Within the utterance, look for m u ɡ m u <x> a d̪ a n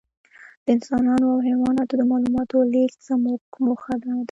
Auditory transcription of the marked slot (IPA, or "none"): x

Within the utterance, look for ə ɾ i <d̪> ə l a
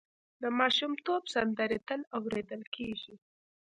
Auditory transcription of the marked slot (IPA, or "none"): t̪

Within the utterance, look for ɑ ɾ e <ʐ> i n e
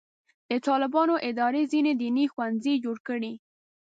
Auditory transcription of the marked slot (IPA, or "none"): z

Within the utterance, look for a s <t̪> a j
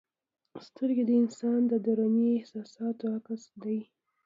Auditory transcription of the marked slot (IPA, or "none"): d̪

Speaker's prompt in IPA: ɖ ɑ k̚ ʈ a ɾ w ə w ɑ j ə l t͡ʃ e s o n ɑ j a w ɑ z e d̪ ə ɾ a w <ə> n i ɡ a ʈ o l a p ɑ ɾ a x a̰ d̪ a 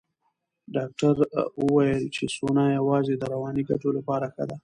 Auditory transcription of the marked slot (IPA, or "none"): ɑ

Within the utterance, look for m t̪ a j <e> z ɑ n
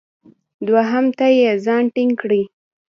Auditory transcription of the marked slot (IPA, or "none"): e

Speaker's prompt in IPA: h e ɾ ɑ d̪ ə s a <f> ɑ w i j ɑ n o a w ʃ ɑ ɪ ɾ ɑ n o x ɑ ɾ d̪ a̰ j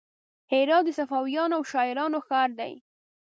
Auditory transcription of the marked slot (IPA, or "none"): f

